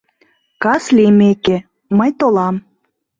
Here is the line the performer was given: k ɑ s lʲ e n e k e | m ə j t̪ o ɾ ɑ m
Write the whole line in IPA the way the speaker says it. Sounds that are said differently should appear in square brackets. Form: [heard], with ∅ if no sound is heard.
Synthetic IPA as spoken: k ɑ s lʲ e [m] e k e | m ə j t̪ o [l] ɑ m